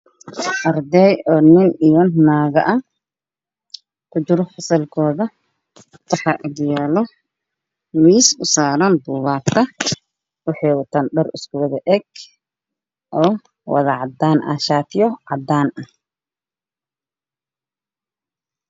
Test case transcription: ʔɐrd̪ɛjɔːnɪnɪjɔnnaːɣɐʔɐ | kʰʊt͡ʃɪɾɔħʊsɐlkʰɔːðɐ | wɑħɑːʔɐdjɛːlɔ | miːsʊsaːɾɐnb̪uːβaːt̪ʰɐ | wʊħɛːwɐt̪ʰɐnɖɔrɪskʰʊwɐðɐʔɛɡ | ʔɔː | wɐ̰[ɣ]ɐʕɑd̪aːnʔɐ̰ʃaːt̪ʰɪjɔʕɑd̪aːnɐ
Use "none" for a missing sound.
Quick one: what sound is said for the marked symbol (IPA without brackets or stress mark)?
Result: ð